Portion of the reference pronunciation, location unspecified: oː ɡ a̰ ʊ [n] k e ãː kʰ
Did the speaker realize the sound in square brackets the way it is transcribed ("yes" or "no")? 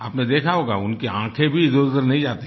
yes